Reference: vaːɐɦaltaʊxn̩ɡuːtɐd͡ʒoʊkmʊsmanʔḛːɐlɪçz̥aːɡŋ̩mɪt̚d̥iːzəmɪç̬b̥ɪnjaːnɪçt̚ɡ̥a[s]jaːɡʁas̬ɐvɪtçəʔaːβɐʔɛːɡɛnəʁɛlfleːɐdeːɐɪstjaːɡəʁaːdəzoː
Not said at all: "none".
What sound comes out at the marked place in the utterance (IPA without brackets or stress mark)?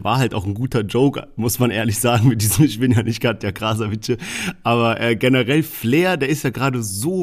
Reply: t